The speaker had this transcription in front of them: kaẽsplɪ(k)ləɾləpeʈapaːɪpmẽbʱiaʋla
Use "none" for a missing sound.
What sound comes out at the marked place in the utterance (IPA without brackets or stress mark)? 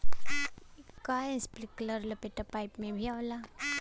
k